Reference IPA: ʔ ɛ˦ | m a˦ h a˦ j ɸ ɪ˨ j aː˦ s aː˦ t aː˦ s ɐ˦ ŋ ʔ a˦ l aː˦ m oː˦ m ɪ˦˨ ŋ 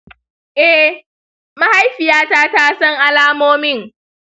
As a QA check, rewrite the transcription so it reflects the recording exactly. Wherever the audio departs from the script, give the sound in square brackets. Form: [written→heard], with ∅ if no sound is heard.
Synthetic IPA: ʔ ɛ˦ | m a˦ h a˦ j ɸ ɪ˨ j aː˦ [s→t] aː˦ t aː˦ s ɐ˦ ŋ ʔ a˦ l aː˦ m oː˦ m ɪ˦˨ ŋ